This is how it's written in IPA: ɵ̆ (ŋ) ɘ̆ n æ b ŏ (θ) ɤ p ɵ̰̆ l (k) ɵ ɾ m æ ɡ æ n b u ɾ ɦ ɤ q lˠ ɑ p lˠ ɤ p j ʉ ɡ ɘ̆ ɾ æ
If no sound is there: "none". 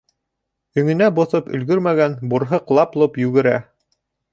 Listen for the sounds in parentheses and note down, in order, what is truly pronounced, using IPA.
ŋ, θ, ɡ

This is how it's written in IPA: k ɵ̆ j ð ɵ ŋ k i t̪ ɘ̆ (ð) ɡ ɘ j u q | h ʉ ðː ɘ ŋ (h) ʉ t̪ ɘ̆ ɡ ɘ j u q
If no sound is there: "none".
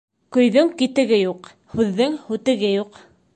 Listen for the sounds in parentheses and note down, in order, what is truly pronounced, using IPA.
none, h

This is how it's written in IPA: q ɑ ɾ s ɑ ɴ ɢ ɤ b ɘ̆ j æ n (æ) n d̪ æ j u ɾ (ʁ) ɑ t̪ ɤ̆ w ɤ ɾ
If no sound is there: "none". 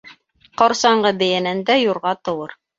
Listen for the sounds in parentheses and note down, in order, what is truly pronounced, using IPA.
æ, ʁ

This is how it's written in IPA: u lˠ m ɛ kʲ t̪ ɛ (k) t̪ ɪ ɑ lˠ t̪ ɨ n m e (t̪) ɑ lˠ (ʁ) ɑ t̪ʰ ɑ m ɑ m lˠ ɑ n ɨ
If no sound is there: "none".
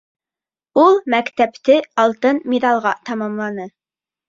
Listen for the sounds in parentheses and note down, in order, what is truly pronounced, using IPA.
p, d̪, ʁ

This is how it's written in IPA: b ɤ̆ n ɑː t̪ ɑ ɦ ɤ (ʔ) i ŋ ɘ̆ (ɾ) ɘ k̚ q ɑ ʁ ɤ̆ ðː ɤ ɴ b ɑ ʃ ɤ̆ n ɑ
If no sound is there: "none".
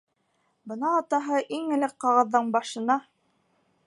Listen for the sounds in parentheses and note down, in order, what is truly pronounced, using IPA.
ʔ, l

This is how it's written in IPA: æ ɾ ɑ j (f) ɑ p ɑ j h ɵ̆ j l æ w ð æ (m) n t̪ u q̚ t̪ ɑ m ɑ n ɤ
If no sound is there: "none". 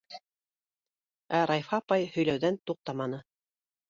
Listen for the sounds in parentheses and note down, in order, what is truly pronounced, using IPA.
f, none

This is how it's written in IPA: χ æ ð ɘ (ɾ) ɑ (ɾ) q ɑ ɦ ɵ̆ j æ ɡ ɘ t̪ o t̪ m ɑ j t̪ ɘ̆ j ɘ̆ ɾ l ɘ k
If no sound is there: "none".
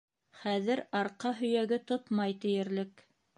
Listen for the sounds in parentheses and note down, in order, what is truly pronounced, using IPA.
ɾ, ɾ

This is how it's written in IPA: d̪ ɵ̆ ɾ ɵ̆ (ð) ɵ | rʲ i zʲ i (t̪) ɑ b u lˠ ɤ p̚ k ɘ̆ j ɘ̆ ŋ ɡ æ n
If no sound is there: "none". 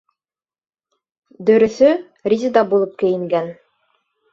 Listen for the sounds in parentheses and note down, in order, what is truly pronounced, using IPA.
θ, d̪

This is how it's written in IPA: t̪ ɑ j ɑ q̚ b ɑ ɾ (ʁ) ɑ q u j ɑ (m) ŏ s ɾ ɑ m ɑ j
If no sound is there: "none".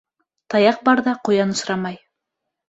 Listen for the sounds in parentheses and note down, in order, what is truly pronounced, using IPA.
ð, n

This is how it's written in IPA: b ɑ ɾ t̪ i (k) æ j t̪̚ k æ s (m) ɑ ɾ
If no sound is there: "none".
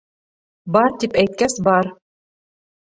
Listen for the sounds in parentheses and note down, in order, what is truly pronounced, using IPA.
p, b

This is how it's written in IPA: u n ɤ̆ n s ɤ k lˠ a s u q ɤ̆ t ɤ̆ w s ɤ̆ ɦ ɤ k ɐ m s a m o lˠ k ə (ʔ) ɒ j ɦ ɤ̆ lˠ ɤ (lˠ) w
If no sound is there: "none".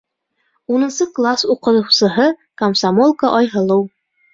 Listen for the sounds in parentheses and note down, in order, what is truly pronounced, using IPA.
ʔ, none

